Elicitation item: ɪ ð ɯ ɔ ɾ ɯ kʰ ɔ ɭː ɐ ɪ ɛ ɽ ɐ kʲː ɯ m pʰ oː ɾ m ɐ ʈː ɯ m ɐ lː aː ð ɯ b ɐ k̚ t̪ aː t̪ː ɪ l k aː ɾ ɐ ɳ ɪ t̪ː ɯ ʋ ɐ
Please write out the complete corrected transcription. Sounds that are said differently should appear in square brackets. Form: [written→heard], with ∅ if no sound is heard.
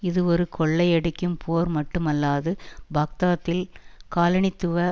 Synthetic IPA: ɪ ð ɯ ɔ ɾ ɯ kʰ ɔ ɭː ɐ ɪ ɛ ɽ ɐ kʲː ɯ m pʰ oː ɾ m ɐ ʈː ɯ m ɐ lː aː ð ɯ b ɐ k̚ t̪ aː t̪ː ɪ l k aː [ɾ→l] ɐ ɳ ɪ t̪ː ɯ ʋ ɐ